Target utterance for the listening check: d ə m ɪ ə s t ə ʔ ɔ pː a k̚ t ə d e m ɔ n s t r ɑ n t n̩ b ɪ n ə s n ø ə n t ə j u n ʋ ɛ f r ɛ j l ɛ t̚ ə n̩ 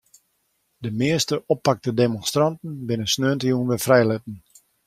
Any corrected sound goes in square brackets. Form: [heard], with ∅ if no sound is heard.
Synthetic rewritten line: d ə m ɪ ə s t ə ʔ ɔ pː a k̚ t ə d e m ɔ n s t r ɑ n t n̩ b ɪ n ə s n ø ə n t ə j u n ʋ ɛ f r ɛ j l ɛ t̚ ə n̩